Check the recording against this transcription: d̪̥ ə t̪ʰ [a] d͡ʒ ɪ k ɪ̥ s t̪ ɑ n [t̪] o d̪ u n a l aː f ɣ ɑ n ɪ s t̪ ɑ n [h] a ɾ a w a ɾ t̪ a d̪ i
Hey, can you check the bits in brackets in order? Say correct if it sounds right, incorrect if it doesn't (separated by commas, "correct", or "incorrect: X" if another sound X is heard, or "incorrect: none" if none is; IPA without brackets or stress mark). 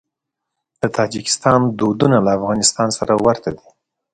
incorrect: ɑ, incorrect: d̪, incorrect: s